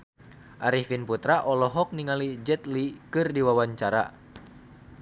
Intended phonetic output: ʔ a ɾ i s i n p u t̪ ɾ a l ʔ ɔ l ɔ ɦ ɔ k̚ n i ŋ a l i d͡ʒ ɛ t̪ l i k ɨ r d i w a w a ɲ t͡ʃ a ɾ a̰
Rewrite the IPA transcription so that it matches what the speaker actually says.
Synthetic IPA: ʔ a ɾ i f i n p u t̪ ɾ a ʔ ɔ l ɔ ɦ ɔ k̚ n i ŋ a l i d͡ʒ ɛ t̪ l i k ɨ r d i w a w a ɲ t͡ʃ a ɾ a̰